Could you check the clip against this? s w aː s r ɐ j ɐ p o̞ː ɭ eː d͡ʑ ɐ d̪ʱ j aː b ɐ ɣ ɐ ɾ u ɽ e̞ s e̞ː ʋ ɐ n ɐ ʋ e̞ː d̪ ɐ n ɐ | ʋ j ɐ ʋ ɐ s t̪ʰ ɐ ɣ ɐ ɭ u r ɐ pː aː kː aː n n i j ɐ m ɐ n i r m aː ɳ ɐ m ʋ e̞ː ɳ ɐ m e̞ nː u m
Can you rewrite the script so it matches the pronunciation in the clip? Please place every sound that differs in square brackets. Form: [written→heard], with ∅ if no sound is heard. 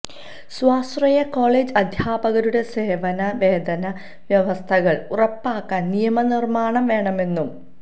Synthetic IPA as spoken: s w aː s r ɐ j ɐ [p→k] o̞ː ɭ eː d͡ʑ ɐ d̪ʱ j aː b ɐ ɣ ɐ ɾ u ɽ e̞ s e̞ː ʋ ɐ n ɐ ʋ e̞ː d̪ ɐ n ɐ | ʋ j ɐ ʋ ɐ s t̪ʰ ɐ ɣ ɐ ɭ u r ɐ pː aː kː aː n n i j ɐ m ɐ n i r m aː ɳ ɐ m ʋ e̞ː ɳ ɐ m e̞ nː u m